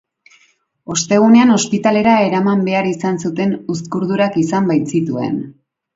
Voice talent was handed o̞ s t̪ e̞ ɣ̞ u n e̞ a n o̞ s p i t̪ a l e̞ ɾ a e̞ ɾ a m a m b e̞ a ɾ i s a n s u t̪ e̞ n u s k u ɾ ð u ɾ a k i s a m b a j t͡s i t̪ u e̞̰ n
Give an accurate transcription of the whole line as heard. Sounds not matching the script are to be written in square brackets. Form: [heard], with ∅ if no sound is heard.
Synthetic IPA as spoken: o̞ s t̪ e̞ ɣ̞ u n e̞ a n o̞ s p i t̪ a l e̞ ɾ a e̞ ɾ a m a m b e̞ a ɾ i s a n s u t̪ e̞ n u s k u ɾ ð u ɾ a k i s a m b a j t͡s i t̪ u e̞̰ n